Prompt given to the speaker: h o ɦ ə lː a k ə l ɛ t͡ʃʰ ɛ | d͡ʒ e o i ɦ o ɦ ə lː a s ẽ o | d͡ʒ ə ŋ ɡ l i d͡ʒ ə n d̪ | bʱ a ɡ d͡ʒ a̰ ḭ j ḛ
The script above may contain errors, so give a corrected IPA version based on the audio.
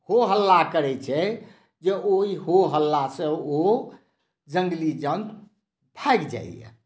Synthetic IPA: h o ɦ ə lː a k ə ɾ ɛ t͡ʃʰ ɛ | d͡ʒ e o i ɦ o ɦ ə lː a s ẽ o | d͡ʒ ə ŋ ɡ l i d͡ʒ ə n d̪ | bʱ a ɡ d͡ʒ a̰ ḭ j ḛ